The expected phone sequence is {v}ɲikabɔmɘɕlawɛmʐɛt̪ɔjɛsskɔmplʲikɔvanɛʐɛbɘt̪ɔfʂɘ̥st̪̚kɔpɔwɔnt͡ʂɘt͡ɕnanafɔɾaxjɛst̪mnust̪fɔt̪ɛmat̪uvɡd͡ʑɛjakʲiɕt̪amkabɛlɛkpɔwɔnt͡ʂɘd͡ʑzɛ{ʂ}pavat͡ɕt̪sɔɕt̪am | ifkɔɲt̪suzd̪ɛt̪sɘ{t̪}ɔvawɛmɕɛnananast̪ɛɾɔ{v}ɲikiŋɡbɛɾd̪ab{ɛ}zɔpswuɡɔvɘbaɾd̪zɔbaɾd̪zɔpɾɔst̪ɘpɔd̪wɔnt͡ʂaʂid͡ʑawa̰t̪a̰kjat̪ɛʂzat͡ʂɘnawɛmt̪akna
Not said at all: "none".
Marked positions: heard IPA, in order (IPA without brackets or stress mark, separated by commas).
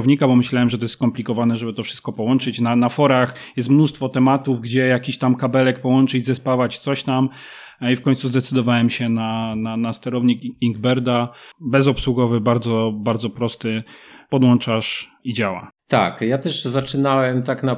v, s, d̪, v, ɛ